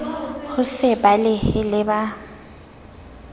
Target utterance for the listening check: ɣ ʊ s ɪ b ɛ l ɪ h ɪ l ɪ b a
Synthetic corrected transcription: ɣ ʊ s ɪ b a l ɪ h ɪ l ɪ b a